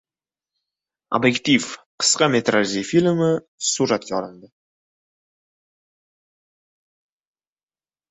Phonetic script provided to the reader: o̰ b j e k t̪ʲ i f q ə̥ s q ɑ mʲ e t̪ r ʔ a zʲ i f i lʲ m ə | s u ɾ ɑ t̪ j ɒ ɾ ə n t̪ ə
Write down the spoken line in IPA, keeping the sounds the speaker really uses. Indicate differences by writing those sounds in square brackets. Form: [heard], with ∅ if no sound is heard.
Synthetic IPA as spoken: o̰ b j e k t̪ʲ i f q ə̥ s q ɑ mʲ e t̪ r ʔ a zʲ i f i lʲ m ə | s u ɾ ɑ t̪ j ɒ ɾ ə n [d̪] ə